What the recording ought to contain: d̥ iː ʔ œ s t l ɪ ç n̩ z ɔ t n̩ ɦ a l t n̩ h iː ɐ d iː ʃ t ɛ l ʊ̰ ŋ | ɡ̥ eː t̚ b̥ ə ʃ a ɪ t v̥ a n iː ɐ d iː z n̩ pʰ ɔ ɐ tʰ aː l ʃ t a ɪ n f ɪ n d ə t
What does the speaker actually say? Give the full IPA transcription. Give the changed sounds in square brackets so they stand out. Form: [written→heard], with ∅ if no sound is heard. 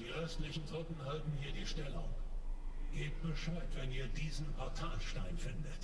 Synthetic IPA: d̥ iː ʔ œ s t l ɪ ç n̩ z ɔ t n̩ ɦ a l t n̩ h iː ɐ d iː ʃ t ɛ l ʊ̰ ŋ | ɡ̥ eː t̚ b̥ ə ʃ a ɪ t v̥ [a→ɛ] n iː ɐ d iː z n̩ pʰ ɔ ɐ tʰ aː l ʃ t a ɪ n f ɪ n d ə t